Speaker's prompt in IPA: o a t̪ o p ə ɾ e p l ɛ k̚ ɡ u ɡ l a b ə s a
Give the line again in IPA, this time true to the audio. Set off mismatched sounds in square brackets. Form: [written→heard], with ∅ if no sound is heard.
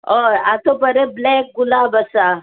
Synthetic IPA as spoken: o a t̪ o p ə ɾ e [p→b] l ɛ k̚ ɡ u [ɡ→∅] l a b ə s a